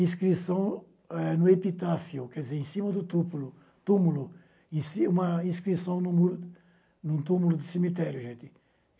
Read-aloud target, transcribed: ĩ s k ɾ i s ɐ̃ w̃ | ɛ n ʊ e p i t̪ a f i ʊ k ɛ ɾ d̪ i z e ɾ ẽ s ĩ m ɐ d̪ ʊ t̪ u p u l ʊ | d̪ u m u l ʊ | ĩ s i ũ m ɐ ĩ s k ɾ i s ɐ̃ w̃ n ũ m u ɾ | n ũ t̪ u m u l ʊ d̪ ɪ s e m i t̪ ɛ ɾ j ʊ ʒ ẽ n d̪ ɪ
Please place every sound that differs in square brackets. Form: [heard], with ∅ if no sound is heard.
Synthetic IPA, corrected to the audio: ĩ s k ɾ i s ɐ̃ w̃ | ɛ n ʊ e p i t̪ a f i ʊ k ɛ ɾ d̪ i z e ɾ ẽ s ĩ m ɐ d̪ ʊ t̪ u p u l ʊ | [t̪] u m u l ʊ | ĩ s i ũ m ɐ ĩ s k ɾ i s ɐ̃ w̃ n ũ m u ɾ | n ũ t̪ u m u l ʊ d̪ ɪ s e m i t̪ ɛ ɾ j ʊ ʒ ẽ n [t̪] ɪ